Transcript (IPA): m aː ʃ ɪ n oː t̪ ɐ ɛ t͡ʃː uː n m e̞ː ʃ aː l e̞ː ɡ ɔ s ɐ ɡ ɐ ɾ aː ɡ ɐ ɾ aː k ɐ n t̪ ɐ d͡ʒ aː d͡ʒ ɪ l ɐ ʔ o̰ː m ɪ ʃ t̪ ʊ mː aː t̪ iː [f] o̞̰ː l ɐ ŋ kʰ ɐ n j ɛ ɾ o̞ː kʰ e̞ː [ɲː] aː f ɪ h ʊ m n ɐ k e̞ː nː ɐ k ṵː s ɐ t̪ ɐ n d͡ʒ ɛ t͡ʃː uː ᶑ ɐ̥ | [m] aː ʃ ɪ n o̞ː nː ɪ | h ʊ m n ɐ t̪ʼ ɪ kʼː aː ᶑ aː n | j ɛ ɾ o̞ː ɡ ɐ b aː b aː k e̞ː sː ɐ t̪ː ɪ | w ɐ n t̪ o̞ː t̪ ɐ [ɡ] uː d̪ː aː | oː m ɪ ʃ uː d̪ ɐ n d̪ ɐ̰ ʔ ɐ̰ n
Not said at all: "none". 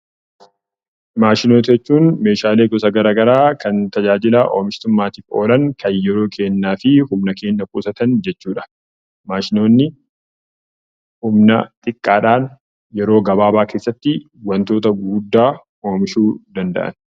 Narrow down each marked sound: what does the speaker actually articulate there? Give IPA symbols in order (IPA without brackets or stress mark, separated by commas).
f, nː, m, ɡ